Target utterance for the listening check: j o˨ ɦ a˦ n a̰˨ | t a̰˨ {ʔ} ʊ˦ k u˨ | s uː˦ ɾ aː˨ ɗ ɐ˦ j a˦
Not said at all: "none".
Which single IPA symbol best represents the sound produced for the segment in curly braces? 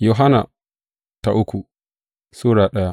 ʔ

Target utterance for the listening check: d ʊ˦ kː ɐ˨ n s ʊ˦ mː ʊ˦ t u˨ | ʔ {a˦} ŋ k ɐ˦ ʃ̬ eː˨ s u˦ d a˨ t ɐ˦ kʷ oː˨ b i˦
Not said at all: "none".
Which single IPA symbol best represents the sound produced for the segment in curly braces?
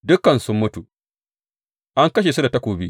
a˦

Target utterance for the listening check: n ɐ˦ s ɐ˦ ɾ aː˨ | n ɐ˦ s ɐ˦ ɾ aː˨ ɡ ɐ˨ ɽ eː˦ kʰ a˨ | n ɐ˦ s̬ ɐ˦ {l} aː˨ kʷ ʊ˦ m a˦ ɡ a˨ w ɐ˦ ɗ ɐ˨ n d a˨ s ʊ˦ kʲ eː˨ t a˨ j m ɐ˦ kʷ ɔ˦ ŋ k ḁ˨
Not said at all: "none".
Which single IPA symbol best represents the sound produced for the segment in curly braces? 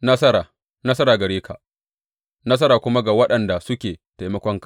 ɾ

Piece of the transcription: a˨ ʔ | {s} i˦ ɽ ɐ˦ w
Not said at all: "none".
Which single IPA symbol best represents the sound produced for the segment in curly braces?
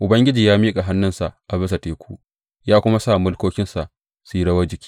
s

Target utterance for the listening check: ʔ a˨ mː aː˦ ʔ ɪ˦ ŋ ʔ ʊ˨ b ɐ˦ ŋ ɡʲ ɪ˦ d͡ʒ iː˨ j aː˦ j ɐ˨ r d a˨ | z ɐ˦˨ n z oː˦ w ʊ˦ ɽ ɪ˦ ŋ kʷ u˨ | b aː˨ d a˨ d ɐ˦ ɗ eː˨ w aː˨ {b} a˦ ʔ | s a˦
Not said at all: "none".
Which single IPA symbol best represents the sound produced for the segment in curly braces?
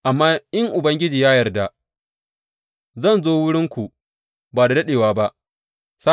b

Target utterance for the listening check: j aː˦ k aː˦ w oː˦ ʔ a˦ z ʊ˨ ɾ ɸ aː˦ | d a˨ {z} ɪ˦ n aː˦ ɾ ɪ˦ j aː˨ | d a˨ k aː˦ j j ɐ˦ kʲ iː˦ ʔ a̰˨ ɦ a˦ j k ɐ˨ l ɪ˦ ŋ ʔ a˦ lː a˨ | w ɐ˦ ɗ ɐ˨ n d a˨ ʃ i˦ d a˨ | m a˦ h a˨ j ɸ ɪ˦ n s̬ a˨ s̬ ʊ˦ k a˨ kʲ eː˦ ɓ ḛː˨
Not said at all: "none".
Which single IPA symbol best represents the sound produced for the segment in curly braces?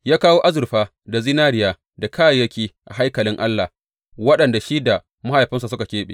z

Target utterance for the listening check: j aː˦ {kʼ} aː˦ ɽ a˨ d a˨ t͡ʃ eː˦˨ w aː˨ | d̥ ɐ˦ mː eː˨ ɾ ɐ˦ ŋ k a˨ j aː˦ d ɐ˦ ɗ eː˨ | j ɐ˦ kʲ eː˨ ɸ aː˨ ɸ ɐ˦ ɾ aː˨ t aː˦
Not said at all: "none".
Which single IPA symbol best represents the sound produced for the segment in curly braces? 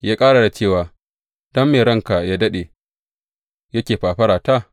kʼ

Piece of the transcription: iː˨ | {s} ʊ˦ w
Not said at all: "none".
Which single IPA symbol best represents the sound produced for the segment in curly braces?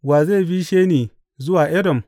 z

